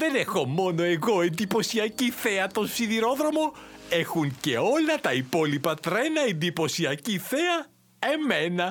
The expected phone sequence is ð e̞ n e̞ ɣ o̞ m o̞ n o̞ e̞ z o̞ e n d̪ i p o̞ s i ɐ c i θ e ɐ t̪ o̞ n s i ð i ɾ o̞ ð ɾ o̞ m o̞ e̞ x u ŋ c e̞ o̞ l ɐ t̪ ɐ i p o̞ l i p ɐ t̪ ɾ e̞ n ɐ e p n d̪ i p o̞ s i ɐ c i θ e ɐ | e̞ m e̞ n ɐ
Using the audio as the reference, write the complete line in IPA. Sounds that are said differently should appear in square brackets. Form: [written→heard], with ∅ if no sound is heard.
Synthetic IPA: ð e̞ n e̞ [ɣ→x] o̞ m o̞ n o̞ e̞ [z→ɣ] o̞ e n d̪ i p o̞ s i ɐ c i θ e ɐ t̪ o̞ n s i ð i ɾ o̞ ð ɾ o̞ m o̞ e̞ x u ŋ c e̞ o̞ l ɐ t̪ ɐ i p o̞ l i p ɐ t̪ ɾ e̞ n ɐ e [p→∅] n d̪ i p o̞ s i ɐ c i θ e ɐ | e̞ m e̞ n ɐ